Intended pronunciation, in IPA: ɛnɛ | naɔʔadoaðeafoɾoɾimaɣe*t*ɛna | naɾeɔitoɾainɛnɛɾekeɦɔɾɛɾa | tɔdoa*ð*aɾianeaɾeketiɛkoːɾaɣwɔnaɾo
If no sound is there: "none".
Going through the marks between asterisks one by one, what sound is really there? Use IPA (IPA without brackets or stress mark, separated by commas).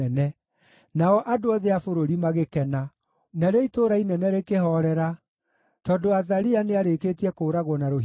k, ð